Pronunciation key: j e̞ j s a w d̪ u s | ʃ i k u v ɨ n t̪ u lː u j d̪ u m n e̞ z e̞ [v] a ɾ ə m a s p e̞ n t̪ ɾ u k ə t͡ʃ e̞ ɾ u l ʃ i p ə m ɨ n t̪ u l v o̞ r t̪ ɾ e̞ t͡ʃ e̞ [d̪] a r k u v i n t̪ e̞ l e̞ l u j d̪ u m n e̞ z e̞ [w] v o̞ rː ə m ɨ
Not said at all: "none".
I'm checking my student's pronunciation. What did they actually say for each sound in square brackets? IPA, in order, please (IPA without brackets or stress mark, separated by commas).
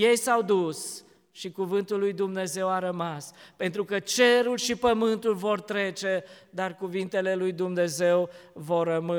w, d̪, w